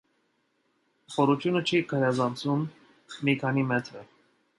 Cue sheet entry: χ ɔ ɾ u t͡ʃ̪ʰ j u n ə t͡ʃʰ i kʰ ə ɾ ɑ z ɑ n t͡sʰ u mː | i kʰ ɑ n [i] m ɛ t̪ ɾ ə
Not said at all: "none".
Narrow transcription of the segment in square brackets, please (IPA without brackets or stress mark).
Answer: i